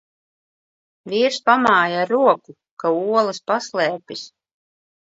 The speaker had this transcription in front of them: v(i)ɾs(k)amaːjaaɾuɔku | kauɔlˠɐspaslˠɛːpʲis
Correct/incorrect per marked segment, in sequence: incorrect, incorrect

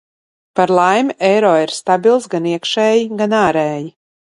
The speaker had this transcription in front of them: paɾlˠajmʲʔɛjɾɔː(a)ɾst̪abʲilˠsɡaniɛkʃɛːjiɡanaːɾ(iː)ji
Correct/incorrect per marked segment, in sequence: incorrect, incorrect

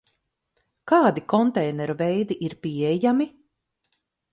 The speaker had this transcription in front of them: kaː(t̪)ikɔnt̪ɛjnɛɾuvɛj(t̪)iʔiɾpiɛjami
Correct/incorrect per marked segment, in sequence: incorrect, incorrect

